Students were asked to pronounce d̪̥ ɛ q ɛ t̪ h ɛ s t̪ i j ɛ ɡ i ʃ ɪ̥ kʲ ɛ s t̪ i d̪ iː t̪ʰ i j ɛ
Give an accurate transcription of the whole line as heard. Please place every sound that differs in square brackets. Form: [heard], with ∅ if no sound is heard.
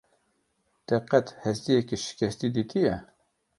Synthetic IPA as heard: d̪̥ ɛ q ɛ t̪ h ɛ s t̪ i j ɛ [k] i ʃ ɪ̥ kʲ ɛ s t̪ i d̪ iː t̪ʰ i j ɛ

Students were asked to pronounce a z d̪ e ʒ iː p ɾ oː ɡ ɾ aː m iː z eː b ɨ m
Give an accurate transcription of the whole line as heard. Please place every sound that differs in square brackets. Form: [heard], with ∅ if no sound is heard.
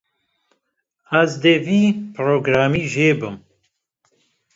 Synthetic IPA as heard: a z d̪ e [v] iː p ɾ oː ɡ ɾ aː m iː [ʒ] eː b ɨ m

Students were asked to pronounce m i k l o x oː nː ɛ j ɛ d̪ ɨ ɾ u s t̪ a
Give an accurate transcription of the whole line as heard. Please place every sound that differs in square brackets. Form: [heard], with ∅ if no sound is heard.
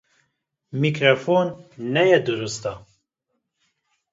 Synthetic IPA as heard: m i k [ɾ] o [f] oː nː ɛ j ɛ d̪ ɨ ɾ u s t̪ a

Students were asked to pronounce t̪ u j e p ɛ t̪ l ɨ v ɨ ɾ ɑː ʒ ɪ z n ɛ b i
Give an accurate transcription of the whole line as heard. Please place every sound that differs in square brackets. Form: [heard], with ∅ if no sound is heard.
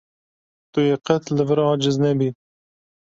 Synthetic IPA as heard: t̪ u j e [q] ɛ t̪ l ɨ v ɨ ɾ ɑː [d͡ʒ] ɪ z n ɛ b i

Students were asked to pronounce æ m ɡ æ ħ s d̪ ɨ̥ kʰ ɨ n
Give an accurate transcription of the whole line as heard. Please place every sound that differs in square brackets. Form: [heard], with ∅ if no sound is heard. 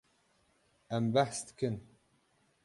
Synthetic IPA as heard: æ m [b] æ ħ s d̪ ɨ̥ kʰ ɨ n

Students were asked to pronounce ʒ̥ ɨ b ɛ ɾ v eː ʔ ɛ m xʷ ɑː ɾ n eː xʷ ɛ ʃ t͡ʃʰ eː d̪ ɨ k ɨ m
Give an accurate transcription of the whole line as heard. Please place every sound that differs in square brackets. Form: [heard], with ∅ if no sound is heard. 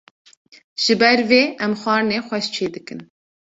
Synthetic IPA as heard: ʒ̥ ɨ b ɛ ɾ v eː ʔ ɛ m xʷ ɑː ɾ n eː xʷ ɛ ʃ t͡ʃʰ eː d̪ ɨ k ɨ [n]

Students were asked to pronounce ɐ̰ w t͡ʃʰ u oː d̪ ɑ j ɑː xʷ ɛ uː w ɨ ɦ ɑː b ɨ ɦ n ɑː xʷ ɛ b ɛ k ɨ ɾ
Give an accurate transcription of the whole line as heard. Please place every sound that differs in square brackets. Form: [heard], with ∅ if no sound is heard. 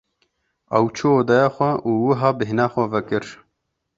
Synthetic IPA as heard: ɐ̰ w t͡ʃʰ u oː d̪ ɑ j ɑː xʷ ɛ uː w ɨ ɦ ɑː b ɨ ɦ n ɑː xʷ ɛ [v] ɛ k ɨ ɾ

